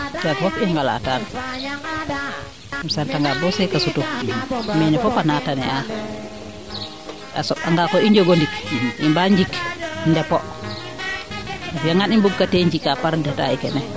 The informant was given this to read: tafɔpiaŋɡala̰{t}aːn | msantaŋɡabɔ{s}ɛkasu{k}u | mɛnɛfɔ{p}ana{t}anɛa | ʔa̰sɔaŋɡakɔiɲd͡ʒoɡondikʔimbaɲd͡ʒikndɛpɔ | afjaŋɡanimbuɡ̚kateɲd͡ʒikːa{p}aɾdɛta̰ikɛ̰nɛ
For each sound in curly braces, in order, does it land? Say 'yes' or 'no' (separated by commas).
yes, yes, no, yes, yes, yes